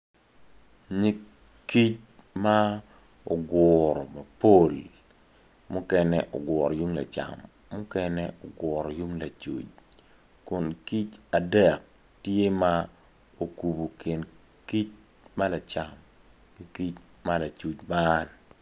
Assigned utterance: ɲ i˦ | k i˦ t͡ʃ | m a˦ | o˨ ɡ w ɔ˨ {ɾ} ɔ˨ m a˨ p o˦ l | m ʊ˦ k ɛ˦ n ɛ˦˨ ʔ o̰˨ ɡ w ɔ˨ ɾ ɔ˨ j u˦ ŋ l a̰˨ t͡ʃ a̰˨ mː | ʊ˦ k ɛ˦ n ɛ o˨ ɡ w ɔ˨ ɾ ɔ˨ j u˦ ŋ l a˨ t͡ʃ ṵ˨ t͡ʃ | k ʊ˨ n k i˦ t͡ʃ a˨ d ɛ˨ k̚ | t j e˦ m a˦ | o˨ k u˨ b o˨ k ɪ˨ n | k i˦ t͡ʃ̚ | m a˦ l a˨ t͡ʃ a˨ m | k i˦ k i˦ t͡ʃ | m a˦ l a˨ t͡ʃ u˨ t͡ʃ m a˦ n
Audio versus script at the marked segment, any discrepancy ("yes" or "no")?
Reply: no